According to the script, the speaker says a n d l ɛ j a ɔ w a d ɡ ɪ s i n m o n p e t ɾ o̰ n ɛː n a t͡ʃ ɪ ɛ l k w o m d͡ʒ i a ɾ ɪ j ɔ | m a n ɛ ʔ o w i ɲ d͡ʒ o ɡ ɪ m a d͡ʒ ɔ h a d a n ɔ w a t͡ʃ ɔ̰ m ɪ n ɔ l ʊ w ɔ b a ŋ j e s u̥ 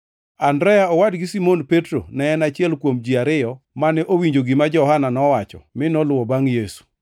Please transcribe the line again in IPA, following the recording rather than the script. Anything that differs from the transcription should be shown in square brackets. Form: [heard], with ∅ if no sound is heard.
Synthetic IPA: a n d [ɾ] ɛ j a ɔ w a d ɡ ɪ s i [∅] m o n p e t ɾ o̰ n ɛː n a t͡ʃ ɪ ɛ l k w o m d͡ʒ i a ɾ ɪ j ɔ | m a n ɛ ʔ o w i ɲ d͡ʒ o ɡ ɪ m a d͡ʒ ɔ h a [n] a n ɔ w a t͡ʃ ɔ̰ m ɪ n ɔ l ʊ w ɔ b a ŋ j e s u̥